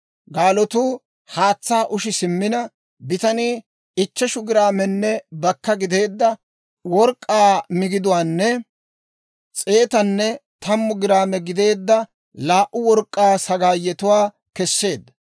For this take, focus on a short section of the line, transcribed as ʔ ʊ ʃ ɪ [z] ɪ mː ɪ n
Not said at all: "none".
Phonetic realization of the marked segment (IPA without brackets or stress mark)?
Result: s